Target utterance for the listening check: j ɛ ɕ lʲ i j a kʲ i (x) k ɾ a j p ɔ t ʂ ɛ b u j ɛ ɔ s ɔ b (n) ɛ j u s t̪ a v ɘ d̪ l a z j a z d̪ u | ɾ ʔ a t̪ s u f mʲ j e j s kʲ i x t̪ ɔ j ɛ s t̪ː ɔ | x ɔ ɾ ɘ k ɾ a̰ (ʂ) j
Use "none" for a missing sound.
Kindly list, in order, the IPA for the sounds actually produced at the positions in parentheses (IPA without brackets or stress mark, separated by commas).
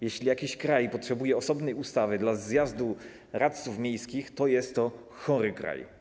ɕ, n, none